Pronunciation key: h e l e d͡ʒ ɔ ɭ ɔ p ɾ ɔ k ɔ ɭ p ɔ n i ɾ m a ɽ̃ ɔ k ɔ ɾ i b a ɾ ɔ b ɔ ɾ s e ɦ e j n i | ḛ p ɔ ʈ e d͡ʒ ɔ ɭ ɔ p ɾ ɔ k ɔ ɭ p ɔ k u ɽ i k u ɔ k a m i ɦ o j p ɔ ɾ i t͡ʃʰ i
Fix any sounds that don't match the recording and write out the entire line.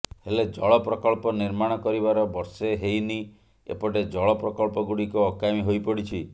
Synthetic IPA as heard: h e l e d͡ʒ ɔ ɭ ɔ p ɾ ɔ k ɔ ɭ p ɔ n i ɾ m a ɽ̃ ɔ k ɔ ɾ i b a ɾ ɔ b ɔ ɾ s e ɦ e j n i | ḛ p ɔ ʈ e d͡ʒ ɔ ɭ ɔ p ɾ ɔ k ɔ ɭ p ɔ ɡ u ɽ i k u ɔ k a m i ɦ o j p ɔ ɽ i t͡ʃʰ i